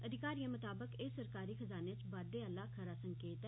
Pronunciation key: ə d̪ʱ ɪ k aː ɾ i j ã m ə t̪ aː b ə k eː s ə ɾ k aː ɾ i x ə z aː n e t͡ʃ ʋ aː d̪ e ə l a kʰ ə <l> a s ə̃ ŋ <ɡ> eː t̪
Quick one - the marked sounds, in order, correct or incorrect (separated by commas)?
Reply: incorrect, incorrect